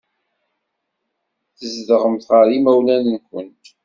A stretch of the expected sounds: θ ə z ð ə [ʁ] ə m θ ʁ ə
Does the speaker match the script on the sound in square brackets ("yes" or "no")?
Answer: yes